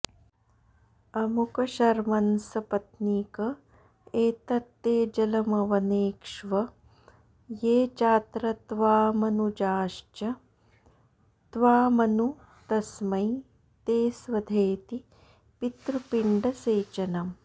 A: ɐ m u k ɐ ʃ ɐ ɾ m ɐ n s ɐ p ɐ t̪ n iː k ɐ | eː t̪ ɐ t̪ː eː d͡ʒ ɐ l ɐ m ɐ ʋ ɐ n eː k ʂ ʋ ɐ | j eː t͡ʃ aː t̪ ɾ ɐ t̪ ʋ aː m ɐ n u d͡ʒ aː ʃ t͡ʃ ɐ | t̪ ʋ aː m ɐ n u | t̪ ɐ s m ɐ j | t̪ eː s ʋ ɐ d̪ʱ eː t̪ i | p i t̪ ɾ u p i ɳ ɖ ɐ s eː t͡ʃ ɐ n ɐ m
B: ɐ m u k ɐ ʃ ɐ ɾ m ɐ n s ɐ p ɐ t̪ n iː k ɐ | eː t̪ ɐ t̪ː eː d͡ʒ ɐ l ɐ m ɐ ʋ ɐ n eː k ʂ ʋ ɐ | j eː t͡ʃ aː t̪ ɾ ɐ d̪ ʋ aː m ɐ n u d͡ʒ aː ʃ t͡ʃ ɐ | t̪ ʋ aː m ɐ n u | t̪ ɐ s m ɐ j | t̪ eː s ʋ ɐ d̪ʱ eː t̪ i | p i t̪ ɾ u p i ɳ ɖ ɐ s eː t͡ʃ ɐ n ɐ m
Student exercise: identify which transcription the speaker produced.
A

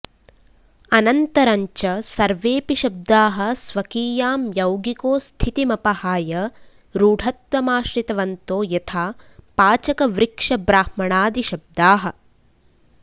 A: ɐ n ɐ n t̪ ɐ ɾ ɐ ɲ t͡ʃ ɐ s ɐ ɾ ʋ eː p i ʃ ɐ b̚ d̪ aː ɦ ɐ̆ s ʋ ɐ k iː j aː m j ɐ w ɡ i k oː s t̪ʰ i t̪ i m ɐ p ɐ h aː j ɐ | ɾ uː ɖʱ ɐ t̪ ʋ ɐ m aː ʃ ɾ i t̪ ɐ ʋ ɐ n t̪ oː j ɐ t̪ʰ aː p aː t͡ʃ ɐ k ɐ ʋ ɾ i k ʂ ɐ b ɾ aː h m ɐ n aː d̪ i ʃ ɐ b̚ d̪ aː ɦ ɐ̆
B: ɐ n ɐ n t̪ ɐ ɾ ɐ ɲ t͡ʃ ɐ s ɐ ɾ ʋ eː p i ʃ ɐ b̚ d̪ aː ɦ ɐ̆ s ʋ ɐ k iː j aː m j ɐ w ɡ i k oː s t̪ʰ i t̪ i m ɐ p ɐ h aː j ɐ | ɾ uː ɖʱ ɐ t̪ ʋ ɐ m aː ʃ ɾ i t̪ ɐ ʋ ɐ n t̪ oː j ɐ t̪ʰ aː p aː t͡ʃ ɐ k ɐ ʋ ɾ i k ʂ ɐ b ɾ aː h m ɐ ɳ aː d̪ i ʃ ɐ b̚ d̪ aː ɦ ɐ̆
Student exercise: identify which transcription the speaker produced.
B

